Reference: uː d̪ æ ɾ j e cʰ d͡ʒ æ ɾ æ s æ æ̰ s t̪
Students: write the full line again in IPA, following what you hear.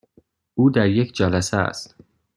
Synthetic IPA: uː d̪ æ ɾ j e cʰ d͡ʒ æ l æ s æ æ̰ s t̪